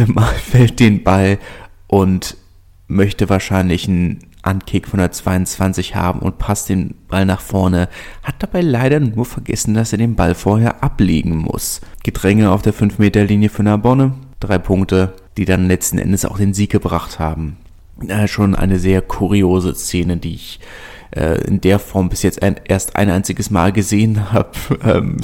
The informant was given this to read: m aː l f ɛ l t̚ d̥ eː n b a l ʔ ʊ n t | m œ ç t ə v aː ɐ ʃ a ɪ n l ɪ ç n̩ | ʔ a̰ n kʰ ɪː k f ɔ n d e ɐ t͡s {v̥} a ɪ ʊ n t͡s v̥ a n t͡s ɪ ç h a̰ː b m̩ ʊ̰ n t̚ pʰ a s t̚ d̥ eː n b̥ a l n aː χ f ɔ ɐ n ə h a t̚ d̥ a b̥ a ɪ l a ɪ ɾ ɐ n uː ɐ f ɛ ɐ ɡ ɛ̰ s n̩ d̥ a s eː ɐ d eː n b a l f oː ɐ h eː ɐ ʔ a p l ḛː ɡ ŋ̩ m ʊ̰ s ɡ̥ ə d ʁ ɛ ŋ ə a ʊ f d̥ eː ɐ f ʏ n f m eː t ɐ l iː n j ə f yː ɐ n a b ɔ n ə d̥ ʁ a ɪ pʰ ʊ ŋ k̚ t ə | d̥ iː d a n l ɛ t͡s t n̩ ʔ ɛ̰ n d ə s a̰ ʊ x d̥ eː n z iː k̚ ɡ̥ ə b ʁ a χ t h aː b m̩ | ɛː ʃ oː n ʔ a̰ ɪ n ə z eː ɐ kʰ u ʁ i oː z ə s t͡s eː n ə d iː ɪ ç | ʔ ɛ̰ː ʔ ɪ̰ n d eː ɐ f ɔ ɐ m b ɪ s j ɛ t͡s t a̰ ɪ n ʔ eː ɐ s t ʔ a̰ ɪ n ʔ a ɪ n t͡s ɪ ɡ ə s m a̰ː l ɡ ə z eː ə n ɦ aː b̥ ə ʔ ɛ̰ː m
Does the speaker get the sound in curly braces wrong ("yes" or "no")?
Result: no